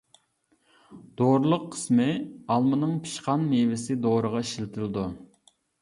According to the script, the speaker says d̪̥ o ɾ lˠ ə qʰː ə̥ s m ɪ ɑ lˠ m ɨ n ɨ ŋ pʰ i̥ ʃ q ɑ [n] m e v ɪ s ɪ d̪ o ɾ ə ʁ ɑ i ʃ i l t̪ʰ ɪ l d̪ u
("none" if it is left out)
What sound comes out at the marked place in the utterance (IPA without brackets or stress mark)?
n